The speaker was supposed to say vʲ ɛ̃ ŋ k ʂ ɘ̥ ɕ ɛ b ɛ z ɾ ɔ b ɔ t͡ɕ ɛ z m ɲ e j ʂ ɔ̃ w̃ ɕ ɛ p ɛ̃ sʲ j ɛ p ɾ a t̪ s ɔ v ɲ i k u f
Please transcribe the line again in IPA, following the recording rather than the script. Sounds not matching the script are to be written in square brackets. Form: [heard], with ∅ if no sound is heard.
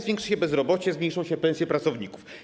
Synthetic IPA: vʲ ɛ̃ ŋ k ʂ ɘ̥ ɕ ɛ b ɛ z ɾ ɔ b ɔ t͡ɕ ɛ z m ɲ e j ʂ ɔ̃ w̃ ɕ ɛ p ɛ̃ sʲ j ɛ p ɾ a t̪ s ɔ v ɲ i k u f